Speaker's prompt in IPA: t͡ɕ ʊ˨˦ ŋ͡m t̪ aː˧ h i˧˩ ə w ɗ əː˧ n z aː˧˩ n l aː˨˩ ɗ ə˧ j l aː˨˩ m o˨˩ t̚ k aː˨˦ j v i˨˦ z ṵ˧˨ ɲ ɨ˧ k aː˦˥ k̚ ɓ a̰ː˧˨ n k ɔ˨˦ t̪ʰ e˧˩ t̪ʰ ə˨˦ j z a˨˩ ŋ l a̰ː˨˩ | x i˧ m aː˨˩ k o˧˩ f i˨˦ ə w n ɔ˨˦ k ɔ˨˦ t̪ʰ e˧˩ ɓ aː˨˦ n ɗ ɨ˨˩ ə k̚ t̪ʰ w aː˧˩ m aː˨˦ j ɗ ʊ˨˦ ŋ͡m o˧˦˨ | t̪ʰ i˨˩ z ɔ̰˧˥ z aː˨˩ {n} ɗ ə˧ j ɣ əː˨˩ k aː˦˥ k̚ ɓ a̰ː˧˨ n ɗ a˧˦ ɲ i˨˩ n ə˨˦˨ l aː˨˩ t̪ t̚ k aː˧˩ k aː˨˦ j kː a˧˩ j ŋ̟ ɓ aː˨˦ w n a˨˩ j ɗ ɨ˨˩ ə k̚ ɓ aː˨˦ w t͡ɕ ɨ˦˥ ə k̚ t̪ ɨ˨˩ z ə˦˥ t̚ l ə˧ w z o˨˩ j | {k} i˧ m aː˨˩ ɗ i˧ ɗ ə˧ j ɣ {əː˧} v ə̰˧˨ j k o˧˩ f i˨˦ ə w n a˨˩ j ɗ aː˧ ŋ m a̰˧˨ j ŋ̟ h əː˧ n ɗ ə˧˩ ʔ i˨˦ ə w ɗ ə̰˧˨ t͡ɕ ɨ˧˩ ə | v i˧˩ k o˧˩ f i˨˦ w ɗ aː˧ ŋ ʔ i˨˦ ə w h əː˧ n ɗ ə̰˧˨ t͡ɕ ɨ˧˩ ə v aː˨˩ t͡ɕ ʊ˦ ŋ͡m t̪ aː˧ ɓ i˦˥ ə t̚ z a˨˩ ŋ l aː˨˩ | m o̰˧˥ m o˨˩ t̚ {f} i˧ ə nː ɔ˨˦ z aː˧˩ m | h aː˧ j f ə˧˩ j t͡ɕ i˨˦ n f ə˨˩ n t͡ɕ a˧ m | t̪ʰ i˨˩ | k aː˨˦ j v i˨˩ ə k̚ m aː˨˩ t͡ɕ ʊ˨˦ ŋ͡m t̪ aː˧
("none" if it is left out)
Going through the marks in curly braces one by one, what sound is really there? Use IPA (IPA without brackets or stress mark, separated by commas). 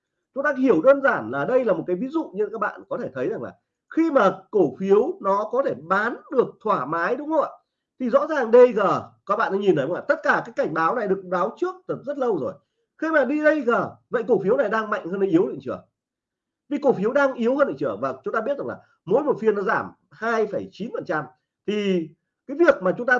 ŋ, x, əː˨˩, f